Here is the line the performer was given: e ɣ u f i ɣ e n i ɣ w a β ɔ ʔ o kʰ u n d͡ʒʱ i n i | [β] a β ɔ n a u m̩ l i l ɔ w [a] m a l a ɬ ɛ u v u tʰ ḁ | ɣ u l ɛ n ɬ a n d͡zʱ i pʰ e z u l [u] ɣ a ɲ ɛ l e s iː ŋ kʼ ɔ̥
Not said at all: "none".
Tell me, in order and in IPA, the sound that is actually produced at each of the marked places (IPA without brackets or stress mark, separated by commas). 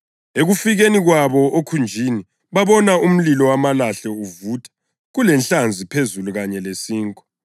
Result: β, a, u